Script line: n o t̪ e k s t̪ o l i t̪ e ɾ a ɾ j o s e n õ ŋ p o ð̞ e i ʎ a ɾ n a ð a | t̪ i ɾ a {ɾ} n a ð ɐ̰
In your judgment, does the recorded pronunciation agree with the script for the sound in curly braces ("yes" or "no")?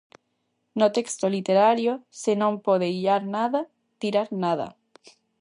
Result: yes